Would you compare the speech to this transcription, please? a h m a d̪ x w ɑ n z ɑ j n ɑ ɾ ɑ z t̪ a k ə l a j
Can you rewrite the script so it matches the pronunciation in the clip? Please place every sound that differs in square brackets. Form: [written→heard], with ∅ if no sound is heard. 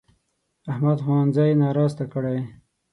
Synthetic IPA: a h m a d̪ x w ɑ n z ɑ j n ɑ ɾ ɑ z t̪ a k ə [l→ɽ] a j